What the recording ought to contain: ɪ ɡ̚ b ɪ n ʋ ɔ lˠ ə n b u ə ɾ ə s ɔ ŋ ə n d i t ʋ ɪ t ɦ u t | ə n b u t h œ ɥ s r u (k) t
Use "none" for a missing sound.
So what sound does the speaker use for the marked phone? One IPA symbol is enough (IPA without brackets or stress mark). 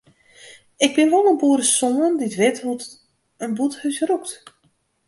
k